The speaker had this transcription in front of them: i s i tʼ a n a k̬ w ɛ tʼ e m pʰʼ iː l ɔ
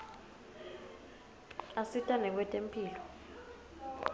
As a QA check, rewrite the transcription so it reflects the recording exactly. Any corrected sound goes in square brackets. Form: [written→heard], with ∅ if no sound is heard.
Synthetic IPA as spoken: [i→a] s i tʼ a n [a→ɛ] k̬ w ɛ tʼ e m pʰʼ iː l ɔ